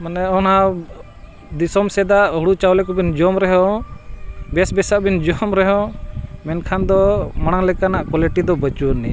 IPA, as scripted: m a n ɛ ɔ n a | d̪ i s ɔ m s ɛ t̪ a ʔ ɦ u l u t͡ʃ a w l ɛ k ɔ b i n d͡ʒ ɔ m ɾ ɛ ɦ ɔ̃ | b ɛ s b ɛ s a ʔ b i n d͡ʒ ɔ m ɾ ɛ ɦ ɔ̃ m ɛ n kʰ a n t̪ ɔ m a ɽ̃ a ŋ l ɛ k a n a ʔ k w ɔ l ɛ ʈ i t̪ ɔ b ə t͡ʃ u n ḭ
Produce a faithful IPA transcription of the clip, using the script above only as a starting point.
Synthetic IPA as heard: m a n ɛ ɔ n a | d̪ i s ɔ m s ɛ d̪ a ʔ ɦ u ɽ u t͡ʃ a w l ɛ k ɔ b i n d͡ʒ ɔ m ɾ ɛ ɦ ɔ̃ | b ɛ s b ɛ s a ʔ b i n d͡ʒ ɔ m ɾ ɛ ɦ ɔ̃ m ɛ n kʰ a n d̪ ɔ m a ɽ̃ a ŋ l ɛ k a n a ʔ k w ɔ l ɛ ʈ i d̪ ɔ b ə t͡ʃ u n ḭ